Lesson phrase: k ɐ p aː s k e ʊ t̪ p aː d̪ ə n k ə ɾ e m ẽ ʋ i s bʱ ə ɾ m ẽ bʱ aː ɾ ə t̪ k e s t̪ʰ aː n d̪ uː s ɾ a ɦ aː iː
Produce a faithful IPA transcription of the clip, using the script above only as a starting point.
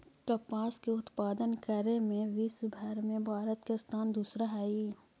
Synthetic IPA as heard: k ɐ p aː s k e ʊ t̪ p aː d̪ ə n k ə ɾ e m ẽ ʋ i s bʱ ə ɾ m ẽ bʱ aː ɾ ə t̪ k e s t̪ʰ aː n d̪ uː s ɾ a ɦ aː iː